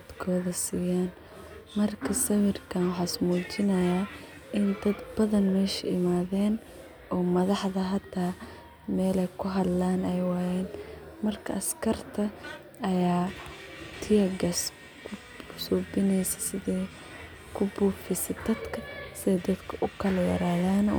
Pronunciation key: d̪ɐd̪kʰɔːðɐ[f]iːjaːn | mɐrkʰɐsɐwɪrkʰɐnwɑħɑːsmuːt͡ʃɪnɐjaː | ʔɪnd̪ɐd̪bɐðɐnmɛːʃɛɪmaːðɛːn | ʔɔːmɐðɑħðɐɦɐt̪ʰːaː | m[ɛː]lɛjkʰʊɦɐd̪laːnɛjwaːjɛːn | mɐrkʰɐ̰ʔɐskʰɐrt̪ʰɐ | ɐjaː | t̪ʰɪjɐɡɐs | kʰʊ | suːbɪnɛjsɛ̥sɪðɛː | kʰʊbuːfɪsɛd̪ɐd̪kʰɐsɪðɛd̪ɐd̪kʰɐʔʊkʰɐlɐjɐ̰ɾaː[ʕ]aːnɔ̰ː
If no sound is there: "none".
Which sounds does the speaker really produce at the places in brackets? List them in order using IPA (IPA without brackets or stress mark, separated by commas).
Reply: s, ɛː, ð